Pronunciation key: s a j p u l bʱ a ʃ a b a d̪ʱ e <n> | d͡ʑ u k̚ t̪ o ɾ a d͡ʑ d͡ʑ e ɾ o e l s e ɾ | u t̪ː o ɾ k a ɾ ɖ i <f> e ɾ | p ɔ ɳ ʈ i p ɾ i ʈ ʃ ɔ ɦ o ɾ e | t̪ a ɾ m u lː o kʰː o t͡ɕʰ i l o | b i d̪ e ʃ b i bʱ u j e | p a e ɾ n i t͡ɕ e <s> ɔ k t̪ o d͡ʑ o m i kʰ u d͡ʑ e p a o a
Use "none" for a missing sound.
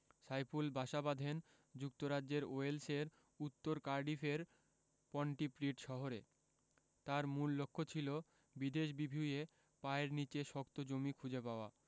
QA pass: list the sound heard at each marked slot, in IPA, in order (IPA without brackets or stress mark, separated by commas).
n, f, ʃ